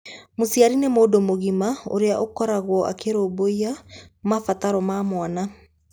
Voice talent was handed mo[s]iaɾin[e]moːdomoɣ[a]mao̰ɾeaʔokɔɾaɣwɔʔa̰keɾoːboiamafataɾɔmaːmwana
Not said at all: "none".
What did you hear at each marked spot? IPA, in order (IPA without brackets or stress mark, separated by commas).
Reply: s, e, i